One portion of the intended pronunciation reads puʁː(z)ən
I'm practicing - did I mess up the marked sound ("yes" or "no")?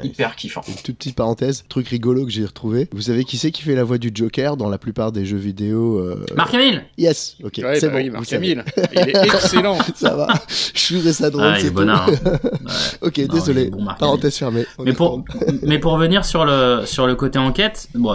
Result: yes